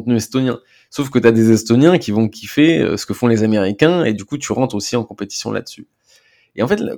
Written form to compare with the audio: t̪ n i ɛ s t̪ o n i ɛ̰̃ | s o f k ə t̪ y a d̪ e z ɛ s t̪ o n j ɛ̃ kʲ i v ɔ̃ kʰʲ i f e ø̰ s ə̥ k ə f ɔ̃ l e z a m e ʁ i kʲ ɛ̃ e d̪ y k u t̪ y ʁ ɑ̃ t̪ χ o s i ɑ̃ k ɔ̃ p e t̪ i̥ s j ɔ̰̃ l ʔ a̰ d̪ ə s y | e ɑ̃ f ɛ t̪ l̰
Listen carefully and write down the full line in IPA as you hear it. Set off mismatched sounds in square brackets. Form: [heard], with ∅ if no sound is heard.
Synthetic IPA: t̪ n [y] ɛ s t̪ o n [j] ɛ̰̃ | s o f k ə t̪ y a d̪ e z ɛ s t̪ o n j ɛ̃ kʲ i v ɔ̃ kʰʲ i f e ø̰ s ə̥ k ə f ɔ̃ l e z a m e ʁ i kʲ ɛ̃ e d̪ y k u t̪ y ʁ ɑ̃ t̪ χ o s i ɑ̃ k ɔ̃ p e t̪ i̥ s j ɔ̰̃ l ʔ a̰ d̪ ə s y | e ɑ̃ f ɛ t̪ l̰